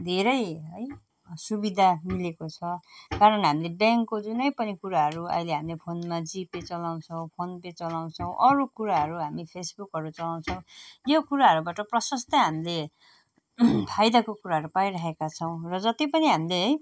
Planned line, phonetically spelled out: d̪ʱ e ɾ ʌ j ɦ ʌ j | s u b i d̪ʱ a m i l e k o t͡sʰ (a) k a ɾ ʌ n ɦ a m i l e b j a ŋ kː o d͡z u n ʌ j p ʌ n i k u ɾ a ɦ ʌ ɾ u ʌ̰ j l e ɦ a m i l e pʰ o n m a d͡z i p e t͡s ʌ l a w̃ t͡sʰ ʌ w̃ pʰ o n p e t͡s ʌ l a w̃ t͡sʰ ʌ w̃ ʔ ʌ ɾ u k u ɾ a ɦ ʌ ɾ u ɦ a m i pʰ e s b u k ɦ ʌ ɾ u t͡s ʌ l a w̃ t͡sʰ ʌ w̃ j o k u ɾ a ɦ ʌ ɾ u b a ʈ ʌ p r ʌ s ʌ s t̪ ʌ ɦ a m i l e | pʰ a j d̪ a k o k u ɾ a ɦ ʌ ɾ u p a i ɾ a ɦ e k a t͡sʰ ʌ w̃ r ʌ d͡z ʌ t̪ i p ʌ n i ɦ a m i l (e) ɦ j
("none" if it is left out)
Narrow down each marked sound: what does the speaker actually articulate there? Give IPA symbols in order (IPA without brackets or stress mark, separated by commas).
ʌ, e